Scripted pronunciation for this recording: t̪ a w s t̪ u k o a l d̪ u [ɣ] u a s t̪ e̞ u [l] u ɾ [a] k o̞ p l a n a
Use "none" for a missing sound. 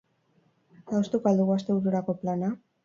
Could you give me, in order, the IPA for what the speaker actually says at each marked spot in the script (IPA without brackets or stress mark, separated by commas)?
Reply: ɣ, ɾ, a